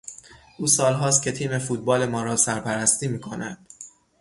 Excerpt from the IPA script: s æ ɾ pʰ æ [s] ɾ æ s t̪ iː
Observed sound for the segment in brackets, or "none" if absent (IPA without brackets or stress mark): none